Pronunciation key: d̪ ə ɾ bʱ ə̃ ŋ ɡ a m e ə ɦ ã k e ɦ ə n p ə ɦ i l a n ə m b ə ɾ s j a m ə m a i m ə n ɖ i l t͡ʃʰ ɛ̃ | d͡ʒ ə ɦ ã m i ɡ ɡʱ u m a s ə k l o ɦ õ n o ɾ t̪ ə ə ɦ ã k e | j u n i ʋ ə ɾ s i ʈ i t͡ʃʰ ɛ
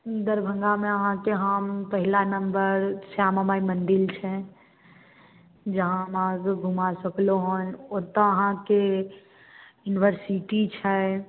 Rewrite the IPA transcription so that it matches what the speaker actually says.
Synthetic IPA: d̪ ə ɾ bʱ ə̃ ŋ ɡ a m e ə ɦ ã k e ɦ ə m p ə ɦ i l a n ə m b ə ɾ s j a m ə m a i m ə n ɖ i l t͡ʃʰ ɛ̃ | d͡ʒ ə ɦ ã m a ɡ ɡʱ u m a s ə k l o ɦ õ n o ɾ t̪ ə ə ɦ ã k e | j u n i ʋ ə ɾ s i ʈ i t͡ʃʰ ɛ